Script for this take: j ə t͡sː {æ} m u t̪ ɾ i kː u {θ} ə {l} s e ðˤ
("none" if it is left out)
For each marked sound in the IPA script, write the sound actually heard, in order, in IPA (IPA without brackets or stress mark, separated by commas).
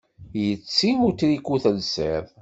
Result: i, θ, l